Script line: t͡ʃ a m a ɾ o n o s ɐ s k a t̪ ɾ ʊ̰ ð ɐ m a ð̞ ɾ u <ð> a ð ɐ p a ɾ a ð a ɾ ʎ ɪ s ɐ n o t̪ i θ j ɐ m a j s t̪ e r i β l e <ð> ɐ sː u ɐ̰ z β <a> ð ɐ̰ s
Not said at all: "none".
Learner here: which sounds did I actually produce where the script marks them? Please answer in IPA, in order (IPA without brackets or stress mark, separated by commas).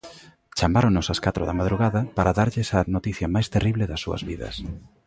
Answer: ɣ, ð, i